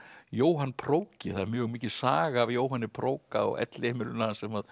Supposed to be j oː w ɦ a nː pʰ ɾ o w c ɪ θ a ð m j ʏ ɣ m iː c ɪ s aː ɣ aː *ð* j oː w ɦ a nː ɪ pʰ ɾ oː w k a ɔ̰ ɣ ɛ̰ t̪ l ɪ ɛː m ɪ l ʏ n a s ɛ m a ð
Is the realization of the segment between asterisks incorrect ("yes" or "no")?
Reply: yes